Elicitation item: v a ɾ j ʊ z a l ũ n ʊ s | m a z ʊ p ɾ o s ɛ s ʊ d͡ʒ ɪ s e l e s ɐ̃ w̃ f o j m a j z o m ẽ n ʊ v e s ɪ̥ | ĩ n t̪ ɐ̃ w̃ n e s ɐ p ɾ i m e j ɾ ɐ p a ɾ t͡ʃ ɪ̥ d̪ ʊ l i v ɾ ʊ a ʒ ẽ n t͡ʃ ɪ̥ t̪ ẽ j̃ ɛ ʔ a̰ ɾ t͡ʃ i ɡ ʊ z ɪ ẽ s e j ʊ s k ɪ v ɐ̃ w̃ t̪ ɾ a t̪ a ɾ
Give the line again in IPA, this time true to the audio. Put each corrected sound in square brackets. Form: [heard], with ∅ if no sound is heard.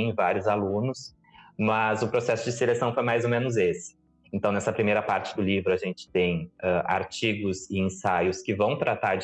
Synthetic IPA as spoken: v a ɾ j ʊ z a l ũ n ʊ s | m [ɐ] z ʊ p ɾ o s ɛ s ʊ d͡ʒ ɪ s e l e s ɐ̃ w̃ f o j m a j z o m ẽ n ʊ [z] e s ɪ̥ | [ẽ] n t̪ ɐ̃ w̃ n [ɛ] s ɐ p ɾ i m e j ɾ ɐ p a ɾ t͡ʃ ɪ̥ d̪ ʊ l i v ɾ ʊ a ʒ ẽ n t͡ʃ ɪ̥ t̪ ẽ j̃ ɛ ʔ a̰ ɾ t͡ʃ i ɡ ʊ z ɪ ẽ s [a] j ʊ s k ɪ v ɐ̃ w̃ t̪ ɾ a t̪ a ɾ